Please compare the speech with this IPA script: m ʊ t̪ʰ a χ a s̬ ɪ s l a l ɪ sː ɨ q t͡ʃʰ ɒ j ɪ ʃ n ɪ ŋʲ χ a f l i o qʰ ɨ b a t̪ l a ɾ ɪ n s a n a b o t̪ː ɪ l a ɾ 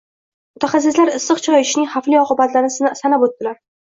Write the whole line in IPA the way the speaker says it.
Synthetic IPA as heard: m ʊ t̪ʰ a χ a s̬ ɪ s l a ɾ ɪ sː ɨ q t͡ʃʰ ɒ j ɪ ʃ n ɪ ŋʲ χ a f l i ɒ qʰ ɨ b a t̪ l a ɾ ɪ n s a n a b o t̪ː ɪ l a ɾ